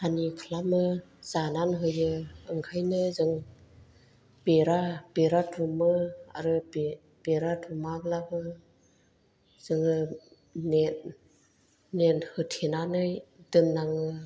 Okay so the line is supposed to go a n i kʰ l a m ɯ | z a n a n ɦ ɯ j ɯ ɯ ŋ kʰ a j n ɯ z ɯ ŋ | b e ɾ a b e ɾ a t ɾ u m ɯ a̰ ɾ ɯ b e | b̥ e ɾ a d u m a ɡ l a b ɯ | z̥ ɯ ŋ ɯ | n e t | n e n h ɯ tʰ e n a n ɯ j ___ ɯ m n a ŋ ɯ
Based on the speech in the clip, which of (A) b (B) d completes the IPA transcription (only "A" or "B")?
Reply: B